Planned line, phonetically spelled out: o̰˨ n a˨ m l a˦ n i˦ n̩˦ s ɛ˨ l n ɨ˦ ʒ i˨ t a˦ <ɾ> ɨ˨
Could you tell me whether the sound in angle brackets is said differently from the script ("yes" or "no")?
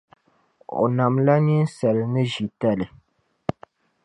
yes